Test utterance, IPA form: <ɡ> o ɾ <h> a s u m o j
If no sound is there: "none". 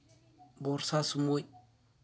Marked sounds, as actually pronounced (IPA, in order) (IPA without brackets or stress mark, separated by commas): b, s